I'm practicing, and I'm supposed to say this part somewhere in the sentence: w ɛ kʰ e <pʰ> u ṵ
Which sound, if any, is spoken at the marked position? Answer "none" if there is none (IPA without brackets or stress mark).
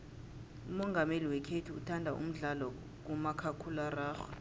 tʰ